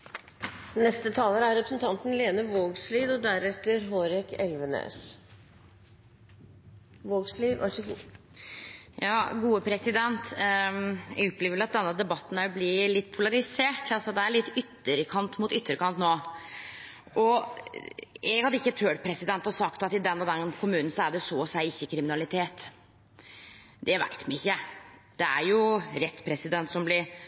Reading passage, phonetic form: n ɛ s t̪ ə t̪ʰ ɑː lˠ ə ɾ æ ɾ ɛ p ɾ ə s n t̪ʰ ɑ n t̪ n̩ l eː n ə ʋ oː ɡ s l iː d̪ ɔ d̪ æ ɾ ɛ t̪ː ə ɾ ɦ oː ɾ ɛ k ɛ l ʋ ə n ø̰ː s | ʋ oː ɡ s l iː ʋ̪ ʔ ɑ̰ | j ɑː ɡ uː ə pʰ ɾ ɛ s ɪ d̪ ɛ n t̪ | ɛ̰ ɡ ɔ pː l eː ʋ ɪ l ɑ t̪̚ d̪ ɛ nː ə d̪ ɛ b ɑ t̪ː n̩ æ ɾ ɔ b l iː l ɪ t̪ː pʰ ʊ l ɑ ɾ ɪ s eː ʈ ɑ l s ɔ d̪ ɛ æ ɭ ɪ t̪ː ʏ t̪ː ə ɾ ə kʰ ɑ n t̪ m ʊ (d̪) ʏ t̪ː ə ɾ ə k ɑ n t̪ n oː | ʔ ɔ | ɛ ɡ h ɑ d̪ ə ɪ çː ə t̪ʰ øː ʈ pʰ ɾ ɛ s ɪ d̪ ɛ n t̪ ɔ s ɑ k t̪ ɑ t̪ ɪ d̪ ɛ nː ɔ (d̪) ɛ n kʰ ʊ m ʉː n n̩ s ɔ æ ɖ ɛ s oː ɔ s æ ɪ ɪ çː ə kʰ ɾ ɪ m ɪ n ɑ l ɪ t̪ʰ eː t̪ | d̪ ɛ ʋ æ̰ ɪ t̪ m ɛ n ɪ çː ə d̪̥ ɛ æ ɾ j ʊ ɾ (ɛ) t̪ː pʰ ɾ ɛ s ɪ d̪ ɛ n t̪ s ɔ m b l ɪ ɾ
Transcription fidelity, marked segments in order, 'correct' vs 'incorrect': incorrect: t̪, correct, correct

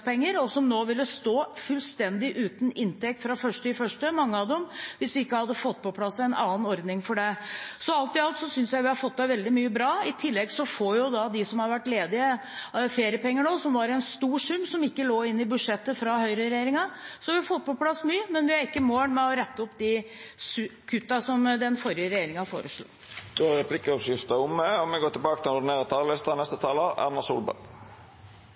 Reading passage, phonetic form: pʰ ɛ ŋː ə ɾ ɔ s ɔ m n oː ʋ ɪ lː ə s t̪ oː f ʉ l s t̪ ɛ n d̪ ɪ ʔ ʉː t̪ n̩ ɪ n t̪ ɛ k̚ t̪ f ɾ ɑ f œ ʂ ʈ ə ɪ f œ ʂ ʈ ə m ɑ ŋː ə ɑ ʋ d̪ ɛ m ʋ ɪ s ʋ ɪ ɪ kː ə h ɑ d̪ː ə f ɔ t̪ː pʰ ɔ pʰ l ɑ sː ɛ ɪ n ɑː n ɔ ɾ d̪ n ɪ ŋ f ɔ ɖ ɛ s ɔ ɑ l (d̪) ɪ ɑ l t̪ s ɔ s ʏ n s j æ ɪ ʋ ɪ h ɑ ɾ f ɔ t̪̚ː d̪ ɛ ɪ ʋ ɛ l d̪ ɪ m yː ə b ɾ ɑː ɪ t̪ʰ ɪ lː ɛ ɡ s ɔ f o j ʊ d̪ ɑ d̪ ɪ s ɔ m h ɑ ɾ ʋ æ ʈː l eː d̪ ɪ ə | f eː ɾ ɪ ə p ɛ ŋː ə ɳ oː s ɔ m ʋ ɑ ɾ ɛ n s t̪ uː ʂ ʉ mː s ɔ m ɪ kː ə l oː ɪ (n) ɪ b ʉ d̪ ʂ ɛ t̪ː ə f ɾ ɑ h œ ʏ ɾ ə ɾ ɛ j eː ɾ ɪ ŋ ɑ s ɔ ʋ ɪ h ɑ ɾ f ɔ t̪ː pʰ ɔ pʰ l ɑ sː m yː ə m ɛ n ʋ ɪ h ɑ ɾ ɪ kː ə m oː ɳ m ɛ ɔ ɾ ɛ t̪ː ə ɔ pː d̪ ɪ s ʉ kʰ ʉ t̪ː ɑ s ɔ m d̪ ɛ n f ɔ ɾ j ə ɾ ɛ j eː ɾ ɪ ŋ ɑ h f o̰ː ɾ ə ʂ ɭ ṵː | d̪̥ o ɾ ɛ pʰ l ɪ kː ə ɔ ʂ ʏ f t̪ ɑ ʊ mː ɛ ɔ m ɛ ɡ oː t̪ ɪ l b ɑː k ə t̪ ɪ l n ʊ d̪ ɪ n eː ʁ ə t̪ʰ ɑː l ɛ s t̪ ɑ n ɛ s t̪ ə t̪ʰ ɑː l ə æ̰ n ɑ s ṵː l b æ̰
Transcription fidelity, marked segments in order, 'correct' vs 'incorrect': incorrect: t̪, incorrect: nː

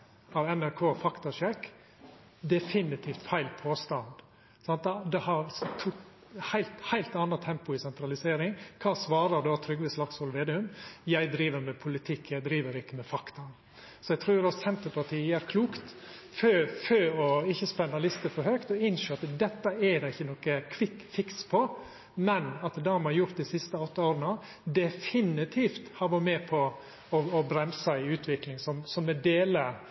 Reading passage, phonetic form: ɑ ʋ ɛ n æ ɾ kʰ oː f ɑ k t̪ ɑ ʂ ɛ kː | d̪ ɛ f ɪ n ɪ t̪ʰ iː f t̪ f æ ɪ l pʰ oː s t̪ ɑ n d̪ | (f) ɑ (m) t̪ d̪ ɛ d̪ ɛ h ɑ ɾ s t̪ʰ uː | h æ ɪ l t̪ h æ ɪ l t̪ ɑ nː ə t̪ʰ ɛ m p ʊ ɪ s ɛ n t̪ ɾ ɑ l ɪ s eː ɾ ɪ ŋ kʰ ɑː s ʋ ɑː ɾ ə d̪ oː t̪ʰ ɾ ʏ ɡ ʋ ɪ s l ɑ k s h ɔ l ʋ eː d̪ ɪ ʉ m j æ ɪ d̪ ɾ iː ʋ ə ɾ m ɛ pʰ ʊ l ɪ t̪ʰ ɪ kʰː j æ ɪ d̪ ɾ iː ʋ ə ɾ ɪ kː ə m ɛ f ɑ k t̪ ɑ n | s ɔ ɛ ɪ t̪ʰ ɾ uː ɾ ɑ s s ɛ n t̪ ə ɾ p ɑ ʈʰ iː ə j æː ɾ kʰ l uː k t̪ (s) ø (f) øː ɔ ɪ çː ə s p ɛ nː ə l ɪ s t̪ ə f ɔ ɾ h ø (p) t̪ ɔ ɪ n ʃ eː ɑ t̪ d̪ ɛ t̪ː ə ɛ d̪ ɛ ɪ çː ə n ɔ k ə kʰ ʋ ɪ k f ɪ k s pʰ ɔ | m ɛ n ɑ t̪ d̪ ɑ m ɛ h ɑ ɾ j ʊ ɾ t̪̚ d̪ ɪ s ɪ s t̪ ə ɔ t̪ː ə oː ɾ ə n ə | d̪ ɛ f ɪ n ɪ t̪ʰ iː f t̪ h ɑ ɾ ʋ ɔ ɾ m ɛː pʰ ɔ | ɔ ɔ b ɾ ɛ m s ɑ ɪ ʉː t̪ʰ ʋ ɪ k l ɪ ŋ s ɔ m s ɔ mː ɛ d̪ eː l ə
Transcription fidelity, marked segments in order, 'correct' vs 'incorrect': incorrect: s, incorrect: n, incorrect: f, correct, incorrect: k

